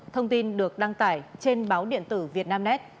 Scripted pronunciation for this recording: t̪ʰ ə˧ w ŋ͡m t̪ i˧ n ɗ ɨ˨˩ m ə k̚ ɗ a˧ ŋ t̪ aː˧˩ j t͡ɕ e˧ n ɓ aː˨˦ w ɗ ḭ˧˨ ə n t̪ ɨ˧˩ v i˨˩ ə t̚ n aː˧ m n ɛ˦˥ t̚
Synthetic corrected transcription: t̪ʰ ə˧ w ŋ͡m t̪ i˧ n ɗ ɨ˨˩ ə k̚ ɗ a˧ ŋ t̪ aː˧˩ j t͡ɕ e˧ n ɓ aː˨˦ w ɗ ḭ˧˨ ə n t̪ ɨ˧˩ v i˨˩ ə t̚ n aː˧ m n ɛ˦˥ t̚